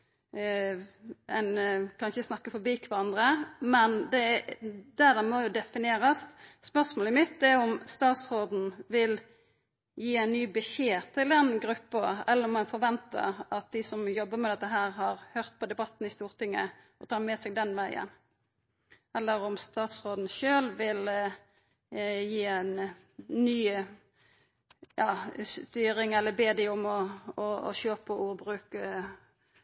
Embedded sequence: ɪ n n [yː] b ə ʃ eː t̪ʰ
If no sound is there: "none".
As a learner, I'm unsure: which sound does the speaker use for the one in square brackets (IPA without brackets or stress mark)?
yː